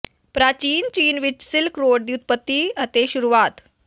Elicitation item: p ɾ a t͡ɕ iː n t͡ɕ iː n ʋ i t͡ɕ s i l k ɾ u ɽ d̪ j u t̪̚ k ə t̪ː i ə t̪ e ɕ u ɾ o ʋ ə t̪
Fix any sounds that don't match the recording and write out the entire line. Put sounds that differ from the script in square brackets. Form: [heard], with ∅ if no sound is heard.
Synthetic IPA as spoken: p ɾ a t͡ɕ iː n t͡ɕ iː n ʋ i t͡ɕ s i l k ɾ [o] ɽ d̪ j u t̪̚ [p] ə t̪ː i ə t̪ e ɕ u ɾ [u] ʋ [a] t̪